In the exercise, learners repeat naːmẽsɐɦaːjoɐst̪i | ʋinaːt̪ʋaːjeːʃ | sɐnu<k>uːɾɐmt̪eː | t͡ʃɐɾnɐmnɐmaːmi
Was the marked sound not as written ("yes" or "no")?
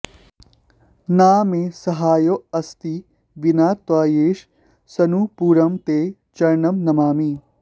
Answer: yes